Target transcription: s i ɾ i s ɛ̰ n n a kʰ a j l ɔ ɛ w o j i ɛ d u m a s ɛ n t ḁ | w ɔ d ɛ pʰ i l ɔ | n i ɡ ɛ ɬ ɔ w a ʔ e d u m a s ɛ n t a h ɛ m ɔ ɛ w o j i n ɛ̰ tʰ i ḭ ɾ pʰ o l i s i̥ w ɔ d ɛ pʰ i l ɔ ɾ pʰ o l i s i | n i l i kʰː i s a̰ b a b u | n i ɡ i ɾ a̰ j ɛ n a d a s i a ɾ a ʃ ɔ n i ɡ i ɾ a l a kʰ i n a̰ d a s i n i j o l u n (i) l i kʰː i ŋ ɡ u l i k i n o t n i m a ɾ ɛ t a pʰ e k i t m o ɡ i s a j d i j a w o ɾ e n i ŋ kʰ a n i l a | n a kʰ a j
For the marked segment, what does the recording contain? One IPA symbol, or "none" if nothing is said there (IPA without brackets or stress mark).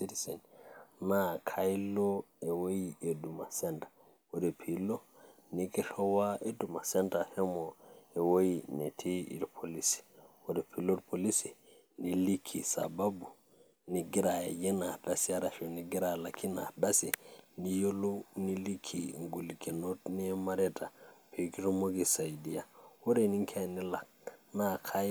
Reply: i